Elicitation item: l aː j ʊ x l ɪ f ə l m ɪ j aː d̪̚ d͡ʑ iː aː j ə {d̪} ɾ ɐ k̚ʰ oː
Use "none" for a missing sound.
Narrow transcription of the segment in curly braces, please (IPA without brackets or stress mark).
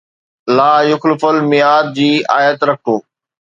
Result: t̪